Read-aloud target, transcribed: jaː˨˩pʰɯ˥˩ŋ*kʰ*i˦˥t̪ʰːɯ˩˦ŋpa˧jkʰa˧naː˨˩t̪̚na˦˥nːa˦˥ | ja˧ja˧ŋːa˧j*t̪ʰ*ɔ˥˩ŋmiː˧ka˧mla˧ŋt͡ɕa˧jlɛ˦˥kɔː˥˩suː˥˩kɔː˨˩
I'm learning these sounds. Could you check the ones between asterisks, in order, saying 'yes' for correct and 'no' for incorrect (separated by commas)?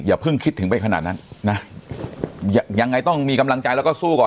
yes, no